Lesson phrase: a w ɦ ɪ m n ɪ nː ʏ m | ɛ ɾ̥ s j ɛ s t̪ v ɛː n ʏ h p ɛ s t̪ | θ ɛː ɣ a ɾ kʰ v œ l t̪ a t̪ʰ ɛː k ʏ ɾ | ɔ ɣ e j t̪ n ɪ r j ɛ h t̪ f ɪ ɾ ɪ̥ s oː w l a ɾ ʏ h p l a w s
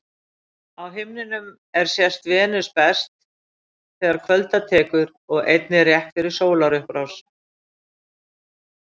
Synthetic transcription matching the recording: a w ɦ ɪ m n ɪ n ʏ m | ɛ ɾ̥ s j ɛ s t̪ v ɛː n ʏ s p ɛ s t̪ | θ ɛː ɣ a ɾ kʰ v œ l t̪ a t̪ʰ ɛː k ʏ ɾ | ɔ ɣ e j t̪ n ɪ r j ɛ h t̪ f ɪ ɾ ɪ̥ s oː w l a ɾ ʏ h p ɾ a w s